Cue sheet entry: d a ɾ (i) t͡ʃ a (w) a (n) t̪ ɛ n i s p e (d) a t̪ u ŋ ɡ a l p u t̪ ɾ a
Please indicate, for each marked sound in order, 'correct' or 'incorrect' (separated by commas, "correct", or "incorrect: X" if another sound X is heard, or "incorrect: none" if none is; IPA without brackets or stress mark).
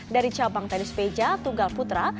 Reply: correct, incorrect: b, incorrect: ŋ, incorrect: d͡ʒ